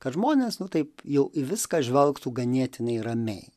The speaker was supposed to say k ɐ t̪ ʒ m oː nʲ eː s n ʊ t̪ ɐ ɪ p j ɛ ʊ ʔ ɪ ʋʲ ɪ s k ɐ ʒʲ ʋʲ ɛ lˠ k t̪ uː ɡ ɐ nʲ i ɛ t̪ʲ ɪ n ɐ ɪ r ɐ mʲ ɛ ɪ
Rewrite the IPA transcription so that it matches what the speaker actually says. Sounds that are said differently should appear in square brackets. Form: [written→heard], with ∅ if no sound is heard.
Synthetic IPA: k ɐ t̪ ʒ m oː nʲ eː s n ʊ t̪ ɐ ɪ p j ɛ ʊ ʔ ɪ ʋʲ ɪ s k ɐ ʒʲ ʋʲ ɛ lˠ k t̪ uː ɡ ɐ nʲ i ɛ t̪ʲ ɪ n ɐ ɪ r ɐ mʲ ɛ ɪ

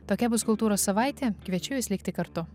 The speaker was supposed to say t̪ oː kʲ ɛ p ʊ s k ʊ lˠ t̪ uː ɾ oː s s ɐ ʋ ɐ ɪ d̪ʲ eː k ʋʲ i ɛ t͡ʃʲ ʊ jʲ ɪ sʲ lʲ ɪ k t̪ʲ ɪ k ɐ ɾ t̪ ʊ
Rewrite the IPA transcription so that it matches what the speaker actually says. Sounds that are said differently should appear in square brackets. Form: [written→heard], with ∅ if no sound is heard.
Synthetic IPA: t̪ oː kʲ ɛ [p→b] ʊ s k ʊ lˠ t̪ uː ɾ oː s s ɐ ʋ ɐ ɪ [d̪ʲ→t̪ʲ] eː k ʋʲ i ɛ t͡ʃʲ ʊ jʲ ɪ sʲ lʲ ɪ k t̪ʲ ɪ k ɐ ɾ t̪ ʊ

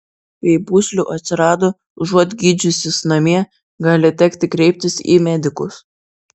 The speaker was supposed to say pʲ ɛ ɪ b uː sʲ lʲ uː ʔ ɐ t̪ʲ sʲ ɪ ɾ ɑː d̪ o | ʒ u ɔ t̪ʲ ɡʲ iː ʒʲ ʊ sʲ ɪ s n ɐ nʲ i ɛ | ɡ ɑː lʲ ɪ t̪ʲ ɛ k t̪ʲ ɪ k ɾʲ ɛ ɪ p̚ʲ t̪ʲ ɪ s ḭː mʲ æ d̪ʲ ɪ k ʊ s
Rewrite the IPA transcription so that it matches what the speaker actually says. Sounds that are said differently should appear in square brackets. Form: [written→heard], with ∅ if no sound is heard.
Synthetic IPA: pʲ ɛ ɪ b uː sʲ lʲ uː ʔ ɐ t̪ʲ sʲ ɪ ɾ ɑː d̪ o | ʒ u ɔ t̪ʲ ɡʲ iː [ʒʲ→d͡ʒʲ] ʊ sʲ ɪ s n ɐ [nʲ→mʲ] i ɛ | ɡ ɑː lʲ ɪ t̪ʲ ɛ k t̪ʲ ɪ k ɾʲ ɛ ɪ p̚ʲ t̪ʲ ɪ s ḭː mʲ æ d̪ʲ ɪ k ʊ s

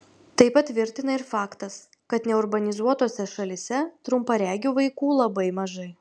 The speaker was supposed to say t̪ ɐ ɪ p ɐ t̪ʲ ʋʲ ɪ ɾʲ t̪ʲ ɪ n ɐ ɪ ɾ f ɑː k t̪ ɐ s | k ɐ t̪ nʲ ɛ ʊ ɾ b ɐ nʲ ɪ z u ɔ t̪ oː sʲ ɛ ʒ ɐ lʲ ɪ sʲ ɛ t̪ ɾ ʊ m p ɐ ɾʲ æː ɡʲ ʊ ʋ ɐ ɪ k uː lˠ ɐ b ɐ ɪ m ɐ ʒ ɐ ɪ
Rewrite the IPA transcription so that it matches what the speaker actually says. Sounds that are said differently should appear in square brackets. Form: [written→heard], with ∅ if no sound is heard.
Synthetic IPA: t̪ ɐ ɪ p ɐ t̪ʲ ʋʲ ɪ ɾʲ t̪ʲ ɪ n ɐ ɪ ɾ f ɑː k t̪ ɐ s | k ɐ t̪ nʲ ɛ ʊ ɾ b ɐ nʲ ɪ z u ɔ t̪ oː sʲ ɛ [ʒ→ʃ] ɐ lʲ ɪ sʲ ɛ t̪ ɾ ʊ m p ɐ ɾʲ æː ɡʲ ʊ ʋ ɐ ɪ k uː lˠ ɐ b ɐ ɪ m ɐ ʒ ɐ ɪ

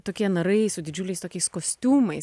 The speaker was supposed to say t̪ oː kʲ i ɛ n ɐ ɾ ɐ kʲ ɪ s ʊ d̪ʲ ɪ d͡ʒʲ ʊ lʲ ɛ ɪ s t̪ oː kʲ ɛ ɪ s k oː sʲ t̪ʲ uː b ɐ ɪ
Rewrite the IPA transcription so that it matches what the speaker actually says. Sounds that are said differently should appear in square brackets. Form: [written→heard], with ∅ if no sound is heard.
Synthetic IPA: t̪ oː kʲ i ɛ n ɐ ɾ ɐ [kʲ→∅] ɪ s ʊ d̪ʲ ɪ d͡ʒʲ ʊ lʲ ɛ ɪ s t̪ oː kʲ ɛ ɪ s k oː sʲ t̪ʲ uː [b→m] ɐ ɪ

